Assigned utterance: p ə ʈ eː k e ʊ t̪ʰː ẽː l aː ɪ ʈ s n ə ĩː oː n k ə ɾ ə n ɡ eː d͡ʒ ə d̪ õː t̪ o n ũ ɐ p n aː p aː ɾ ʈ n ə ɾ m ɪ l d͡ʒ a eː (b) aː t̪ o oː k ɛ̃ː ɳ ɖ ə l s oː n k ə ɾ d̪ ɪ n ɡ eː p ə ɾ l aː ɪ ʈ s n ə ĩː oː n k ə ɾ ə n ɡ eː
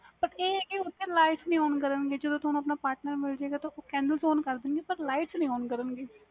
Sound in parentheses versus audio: incorrect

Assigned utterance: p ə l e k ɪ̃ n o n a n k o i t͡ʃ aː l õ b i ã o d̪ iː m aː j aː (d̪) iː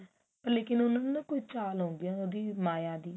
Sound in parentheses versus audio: correct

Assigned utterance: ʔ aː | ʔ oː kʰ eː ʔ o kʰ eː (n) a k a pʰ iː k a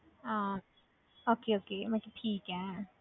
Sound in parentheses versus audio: incorrect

